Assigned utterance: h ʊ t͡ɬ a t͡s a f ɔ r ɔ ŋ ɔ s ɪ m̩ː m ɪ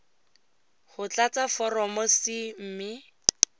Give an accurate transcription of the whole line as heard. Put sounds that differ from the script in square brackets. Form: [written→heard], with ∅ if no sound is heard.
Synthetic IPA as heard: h ʊ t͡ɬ a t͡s a f ɔ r ɔ [ŋ→m] ɔ s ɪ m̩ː m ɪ